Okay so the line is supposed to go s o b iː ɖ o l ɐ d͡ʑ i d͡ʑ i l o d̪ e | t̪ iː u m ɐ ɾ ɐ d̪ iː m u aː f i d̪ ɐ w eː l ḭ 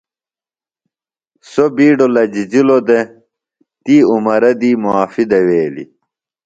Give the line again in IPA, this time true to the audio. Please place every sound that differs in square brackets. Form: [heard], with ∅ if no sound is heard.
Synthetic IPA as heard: s o b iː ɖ o l ɐ d͡ʑ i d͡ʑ i l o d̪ e | t̪ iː u m ɐ ɾ ɐ d̪ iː m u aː f i d̪ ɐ w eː l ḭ